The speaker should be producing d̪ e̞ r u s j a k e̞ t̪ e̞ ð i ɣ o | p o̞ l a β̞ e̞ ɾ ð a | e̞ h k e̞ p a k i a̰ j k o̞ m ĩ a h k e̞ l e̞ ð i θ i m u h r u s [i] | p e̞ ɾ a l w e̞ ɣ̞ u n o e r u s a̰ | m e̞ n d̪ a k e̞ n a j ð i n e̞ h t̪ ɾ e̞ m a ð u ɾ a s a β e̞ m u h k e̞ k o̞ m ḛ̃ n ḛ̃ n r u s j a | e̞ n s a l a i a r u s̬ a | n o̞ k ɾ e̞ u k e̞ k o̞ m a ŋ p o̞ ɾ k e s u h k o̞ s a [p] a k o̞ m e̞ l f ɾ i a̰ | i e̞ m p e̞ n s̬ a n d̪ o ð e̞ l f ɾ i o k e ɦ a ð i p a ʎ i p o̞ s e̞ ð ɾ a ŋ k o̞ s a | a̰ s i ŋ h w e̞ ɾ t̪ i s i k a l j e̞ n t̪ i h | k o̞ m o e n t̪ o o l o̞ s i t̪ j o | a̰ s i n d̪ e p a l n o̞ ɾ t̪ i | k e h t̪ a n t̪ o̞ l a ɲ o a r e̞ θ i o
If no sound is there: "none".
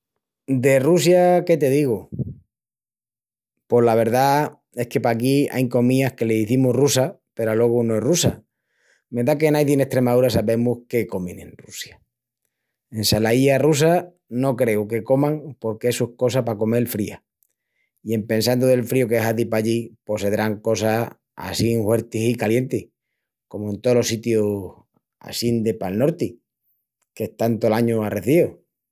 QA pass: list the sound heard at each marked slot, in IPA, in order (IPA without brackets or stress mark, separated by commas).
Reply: a, p